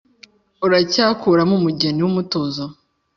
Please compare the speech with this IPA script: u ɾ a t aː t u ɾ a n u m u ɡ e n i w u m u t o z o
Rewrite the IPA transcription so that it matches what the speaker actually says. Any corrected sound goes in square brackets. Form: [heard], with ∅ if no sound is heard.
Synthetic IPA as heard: u ɾ a [c] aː [k] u ɾ a [m] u m u [ɟ] e n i w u m u t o z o